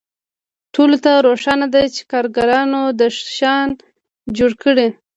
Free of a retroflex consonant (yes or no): no